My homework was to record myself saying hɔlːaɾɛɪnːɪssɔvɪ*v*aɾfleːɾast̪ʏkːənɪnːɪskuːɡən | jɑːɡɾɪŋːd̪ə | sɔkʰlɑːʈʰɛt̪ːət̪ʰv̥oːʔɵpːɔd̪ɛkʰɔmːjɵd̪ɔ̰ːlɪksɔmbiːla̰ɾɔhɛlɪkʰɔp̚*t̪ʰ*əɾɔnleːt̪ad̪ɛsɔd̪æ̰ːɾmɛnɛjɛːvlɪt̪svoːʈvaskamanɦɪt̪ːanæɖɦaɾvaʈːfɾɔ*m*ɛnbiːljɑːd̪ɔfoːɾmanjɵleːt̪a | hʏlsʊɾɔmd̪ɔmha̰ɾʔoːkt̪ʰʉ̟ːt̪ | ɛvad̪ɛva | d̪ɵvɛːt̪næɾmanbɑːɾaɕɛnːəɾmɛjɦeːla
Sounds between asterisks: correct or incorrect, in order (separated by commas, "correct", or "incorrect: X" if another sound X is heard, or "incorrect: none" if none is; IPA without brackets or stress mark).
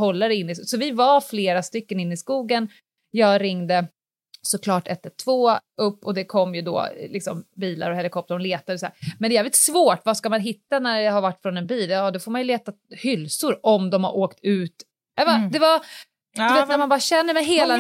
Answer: correct, incorrect: t̪, incorrect: n